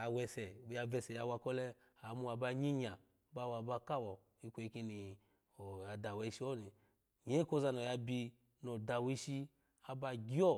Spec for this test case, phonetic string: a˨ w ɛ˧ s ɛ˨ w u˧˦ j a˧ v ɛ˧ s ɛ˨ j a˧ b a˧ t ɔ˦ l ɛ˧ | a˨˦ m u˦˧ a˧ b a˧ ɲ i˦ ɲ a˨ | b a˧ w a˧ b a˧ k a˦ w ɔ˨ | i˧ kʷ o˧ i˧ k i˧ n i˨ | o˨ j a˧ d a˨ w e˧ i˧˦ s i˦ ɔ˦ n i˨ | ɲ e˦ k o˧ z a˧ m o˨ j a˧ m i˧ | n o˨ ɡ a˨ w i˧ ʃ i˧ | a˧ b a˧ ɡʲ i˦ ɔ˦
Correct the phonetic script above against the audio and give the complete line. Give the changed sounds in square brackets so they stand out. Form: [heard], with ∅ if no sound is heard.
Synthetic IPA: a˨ w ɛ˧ s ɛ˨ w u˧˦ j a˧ v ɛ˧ s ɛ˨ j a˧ [w] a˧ [k] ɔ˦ l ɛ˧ | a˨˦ m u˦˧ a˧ b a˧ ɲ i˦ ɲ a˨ | b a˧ w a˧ b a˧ k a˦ w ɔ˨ | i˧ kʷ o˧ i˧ k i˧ n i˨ | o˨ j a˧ d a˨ w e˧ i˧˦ [ʃ] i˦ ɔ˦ n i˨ | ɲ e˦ k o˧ z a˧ [n] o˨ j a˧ [b] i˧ | n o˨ [d] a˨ w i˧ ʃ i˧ | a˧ b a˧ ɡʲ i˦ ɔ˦